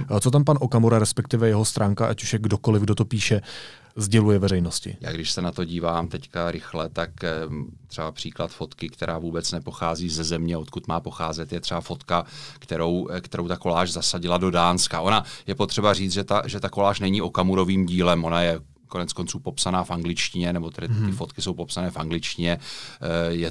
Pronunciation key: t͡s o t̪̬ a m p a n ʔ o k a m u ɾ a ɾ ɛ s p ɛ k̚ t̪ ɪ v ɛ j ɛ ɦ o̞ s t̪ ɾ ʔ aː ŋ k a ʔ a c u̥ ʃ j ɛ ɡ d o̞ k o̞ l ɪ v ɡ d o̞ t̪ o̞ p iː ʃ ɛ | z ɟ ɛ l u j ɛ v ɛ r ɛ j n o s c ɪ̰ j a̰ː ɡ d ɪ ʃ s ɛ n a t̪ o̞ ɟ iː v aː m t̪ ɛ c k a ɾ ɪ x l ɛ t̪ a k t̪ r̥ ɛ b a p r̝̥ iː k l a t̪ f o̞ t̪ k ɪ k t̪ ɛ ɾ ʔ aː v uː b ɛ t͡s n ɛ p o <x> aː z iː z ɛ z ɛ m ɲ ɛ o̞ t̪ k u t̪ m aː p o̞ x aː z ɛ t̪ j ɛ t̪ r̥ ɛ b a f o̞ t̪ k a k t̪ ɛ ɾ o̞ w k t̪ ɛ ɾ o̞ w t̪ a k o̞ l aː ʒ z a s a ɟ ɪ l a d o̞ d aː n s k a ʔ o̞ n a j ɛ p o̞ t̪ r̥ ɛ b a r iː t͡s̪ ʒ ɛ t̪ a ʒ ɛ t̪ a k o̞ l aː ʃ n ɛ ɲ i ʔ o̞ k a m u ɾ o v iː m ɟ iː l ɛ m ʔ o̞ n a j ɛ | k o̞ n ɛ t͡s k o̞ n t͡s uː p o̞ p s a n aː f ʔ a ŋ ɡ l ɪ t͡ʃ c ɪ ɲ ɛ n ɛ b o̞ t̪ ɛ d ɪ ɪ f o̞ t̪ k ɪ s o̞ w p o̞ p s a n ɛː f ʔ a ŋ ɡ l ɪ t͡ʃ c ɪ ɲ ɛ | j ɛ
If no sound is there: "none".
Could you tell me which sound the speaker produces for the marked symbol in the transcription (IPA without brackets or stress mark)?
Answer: x